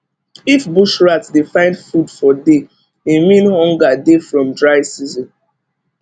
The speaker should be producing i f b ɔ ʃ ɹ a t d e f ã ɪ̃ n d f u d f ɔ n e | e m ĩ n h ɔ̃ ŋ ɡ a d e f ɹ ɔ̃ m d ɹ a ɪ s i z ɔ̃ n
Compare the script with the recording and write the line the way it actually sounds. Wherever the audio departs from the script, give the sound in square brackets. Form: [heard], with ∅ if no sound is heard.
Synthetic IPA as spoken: i f b [u] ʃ ɹ a t d e f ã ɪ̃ n d f u d f ɔ [d] e | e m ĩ n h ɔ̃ ŋ ɡ a d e f ɹ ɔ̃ m d ɹ a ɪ s i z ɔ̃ n